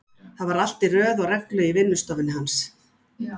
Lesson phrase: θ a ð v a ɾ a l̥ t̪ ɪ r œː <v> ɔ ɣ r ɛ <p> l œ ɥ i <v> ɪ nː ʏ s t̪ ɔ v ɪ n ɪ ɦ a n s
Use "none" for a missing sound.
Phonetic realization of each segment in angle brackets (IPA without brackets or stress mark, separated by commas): ð, k, v